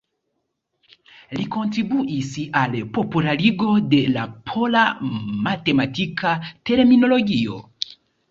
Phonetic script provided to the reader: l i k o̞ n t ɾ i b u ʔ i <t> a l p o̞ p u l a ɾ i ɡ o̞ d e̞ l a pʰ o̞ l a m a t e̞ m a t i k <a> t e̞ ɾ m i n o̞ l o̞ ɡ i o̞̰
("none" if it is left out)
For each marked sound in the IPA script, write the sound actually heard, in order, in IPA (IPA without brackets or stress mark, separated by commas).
s, a